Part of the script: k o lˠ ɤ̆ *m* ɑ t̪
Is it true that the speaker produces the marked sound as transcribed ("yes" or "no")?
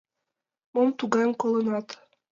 no